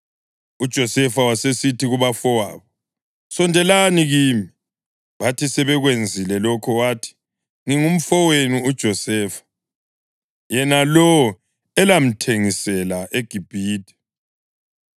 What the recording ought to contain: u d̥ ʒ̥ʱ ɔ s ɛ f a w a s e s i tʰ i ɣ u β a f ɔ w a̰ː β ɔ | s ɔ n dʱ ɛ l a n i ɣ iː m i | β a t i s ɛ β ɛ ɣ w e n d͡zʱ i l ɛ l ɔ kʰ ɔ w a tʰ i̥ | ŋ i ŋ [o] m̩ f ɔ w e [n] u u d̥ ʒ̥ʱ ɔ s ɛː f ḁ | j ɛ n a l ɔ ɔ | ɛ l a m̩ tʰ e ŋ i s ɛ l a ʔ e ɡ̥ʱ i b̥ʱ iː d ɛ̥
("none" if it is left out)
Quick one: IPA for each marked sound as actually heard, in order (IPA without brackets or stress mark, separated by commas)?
u, n